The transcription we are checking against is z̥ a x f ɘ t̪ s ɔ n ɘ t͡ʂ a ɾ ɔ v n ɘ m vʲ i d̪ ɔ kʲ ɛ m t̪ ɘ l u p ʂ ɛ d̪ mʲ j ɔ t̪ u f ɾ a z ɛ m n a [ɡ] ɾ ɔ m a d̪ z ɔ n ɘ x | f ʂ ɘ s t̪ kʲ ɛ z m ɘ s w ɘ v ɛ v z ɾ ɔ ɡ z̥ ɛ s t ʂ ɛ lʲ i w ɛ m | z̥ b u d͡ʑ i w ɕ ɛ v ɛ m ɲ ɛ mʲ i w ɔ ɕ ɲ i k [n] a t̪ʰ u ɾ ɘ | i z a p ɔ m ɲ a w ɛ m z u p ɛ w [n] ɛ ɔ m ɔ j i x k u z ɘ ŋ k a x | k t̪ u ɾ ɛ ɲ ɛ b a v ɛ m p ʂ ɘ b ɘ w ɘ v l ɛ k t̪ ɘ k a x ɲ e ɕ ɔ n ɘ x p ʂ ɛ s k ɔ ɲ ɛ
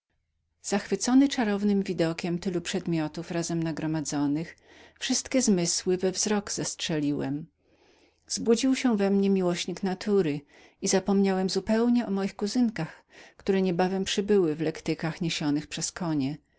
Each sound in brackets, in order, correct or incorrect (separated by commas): correct, correct, incorrect